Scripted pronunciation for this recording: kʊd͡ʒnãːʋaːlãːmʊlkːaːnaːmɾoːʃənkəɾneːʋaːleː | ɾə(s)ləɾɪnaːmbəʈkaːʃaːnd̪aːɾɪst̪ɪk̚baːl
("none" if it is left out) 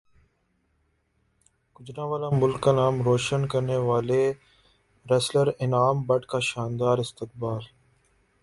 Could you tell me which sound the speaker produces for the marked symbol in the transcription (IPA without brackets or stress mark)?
s